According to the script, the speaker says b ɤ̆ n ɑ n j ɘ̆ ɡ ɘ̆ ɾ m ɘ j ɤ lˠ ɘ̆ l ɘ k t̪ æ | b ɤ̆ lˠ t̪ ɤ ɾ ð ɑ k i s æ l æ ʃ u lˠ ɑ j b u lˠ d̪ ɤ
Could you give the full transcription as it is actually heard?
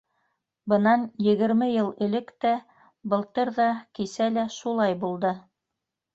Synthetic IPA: b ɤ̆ n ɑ n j ɘ̆ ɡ ɘ̆ ɾ m ɘ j ɤ lˠ ɘ̆ l ɘ k t̪ æ | b ɤ̆ lˠ t̪ ɤ ɾ ð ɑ k i s æ l æ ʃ u lˠ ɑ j b u lˠ d̪ ɤ